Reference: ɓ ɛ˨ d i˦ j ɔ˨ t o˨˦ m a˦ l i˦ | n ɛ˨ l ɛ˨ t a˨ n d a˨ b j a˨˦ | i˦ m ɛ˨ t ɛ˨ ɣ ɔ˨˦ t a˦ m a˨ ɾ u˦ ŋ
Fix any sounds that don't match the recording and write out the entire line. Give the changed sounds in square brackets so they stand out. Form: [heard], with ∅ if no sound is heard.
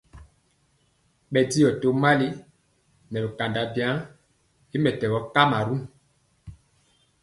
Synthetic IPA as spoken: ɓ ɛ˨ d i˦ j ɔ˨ t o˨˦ m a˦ l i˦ | n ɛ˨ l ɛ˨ [k] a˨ n d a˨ b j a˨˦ | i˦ m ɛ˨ t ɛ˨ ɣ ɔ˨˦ [k] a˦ m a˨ ɾ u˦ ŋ